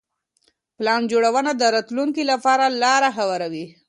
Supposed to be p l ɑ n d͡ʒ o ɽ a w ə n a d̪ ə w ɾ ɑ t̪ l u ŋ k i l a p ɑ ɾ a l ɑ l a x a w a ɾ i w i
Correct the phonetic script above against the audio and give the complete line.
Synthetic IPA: p l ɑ n d͡ʒ o ɽ a w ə n a d̪ ə ɾ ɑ t̪ l u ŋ k i l a p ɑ ɾ a l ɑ ɾ a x a w a ɾ a w i